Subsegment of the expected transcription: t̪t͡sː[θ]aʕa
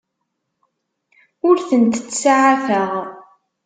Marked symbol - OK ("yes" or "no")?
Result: no